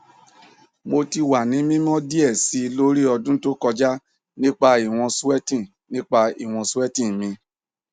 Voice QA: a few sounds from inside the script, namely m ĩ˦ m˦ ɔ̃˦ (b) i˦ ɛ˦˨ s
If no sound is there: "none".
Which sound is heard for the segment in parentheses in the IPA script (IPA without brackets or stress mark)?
d